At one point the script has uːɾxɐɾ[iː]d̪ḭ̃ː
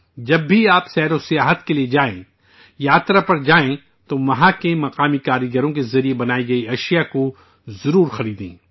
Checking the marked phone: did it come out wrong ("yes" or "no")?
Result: no